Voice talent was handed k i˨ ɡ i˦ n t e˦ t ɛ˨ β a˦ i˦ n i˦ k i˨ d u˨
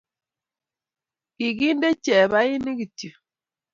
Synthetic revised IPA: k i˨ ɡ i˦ n d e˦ t͡ʃ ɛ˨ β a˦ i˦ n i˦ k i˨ t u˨